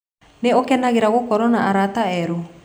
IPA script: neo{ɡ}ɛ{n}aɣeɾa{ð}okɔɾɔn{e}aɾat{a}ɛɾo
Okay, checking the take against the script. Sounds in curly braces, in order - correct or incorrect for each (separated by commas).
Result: incorrect, correct, incorrect, incorrect, correct